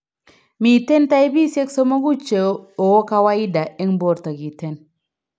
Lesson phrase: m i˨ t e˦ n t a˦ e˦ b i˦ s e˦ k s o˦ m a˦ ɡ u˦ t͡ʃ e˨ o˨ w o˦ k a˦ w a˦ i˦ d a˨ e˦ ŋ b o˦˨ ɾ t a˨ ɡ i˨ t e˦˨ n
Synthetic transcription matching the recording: m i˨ t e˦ n t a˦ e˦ b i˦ s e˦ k s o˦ m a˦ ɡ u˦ t͡ʃ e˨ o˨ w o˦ k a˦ w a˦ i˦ d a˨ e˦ ŋ b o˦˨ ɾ t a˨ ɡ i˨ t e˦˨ n